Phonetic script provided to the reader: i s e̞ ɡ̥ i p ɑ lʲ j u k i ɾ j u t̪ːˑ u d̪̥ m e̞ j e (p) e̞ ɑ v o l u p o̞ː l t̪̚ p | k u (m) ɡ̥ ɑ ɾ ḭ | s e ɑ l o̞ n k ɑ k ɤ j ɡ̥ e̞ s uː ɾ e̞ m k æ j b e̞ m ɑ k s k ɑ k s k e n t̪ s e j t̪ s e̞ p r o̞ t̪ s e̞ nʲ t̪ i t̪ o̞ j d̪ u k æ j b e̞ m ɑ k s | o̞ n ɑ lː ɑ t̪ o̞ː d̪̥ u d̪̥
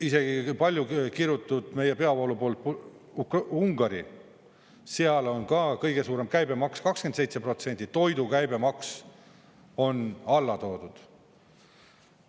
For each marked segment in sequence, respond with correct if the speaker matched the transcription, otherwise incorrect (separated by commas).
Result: correct, incorrect